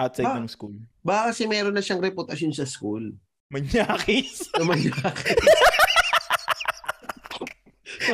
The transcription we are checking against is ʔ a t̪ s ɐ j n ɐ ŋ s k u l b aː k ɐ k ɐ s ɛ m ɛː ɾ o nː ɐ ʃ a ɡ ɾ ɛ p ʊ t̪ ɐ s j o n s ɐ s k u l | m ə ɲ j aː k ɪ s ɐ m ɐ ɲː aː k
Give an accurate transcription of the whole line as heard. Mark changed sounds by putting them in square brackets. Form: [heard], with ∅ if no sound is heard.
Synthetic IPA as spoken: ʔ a t̪ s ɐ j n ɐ ŋ s k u l b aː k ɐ k ɐ s ɛ m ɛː ɾ o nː ɐ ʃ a [ŋ] ɾ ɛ p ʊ t̪ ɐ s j o n s ɐ s k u l | m [ɐ] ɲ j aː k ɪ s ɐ m ɐ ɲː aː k